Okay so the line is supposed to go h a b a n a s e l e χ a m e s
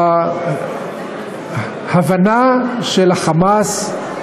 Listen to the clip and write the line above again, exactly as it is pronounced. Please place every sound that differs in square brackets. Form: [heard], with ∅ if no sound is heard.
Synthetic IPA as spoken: h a [v] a n a [ʃ] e l [a] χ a m [a] s